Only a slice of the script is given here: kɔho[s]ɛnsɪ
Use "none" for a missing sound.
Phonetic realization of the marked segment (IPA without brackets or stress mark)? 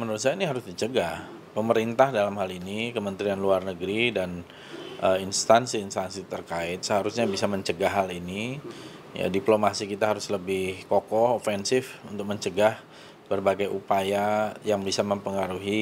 f